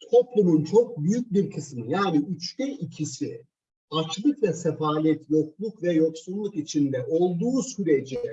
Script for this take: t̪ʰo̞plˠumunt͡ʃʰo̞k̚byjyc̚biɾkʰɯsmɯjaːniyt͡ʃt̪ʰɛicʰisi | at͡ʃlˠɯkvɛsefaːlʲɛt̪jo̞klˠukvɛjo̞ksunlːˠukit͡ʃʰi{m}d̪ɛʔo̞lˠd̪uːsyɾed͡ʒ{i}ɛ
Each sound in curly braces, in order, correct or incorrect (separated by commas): incorrect, correct